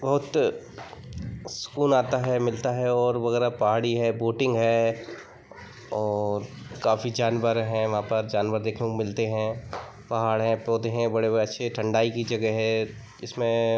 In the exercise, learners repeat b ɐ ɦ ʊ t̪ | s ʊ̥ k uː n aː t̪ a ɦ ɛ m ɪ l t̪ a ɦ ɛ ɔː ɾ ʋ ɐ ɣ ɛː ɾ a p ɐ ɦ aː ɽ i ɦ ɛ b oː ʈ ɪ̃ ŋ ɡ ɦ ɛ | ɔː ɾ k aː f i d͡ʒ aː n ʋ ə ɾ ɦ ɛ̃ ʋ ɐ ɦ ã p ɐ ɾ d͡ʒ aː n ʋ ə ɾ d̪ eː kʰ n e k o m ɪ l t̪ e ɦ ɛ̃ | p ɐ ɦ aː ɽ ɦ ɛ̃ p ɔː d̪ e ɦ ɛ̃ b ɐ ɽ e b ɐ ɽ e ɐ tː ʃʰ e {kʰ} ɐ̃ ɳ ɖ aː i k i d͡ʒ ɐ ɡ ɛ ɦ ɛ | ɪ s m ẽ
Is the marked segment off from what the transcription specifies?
yes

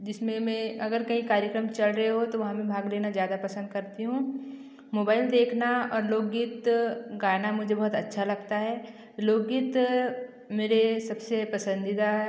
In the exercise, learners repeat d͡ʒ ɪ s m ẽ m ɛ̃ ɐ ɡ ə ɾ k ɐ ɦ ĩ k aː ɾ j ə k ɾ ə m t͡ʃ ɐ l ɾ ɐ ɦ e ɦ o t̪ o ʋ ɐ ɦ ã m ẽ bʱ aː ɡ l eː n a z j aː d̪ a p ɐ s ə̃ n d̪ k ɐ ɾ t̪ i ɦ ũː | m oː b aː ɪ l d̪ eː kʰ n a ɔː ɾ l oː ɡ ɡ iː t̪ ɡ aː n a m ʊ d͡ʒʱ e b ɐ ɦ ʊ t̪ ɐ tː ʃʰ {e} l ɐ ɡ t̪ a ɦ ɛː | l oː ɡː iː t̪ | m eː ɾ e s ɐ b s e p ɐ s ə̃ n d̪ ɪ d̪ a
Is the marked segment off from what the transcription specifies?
yes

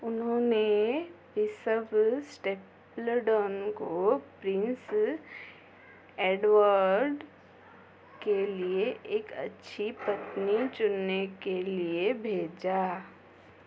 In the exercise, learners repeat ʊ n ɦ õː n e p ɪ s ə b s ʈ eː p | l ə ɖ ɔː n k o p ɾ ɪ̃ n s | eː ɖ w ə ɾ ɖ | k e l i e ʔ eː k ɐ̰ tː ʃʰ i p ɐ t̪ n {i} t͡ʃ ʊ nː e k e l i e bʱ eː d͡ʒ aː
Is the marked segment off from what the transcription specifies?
no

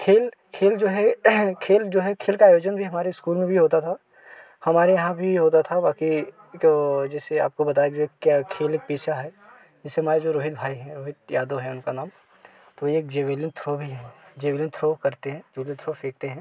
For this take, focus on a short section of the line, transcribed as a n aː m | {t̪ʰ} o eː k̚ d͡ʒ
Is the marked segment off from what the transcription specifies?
yes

